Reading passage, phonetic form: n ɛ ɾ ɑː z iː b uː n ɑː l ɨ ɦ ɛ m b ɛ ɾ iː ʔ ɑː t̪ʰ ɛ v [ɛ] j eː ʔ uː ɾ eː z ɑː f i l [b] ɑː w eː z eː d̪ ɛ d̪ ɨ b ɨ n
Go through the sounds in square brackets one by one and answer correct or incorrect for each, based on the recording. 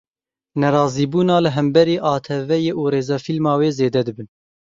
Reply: correct, incorrect: m

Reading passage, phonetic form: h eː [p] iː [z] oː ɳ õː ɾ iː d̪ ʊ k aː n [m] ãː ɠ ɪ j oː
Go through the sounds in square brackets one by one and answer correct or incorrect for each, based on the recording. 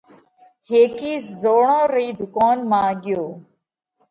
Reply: incorrect: k, correct, correct

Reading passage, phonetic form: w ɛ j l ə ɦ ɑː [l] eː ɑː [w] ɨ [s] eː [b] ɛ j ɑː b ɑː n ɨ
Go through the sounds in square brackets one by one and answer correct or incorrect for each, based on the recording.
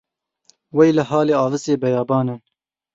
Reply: correct, incorrect: v, correct, correct

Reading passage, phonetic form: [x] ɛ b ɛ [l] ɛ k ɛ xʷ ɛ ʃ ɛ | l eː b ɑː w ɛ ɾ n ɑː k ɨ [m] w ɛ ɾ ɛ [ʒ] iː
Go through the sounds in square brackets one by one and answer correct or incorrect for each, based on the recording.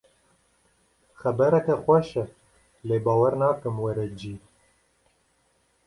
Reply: correct, incorrect: ɾ, correct, incorrect: d͡ʒ

